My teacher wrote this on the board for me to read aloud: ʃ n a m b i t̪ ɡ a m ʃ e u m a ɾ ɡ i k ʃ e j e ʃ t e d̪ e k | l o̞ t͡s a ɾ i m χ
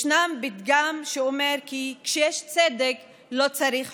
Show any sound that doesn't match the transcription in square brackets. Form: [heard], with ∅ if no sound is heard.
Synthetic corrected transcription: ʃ n a m b i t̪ ɡ a m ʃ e [o] m [e] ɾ [k] i k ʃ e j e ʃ [t͡s] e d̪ e k | l o̞ t͡s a ɾ i [∅] χ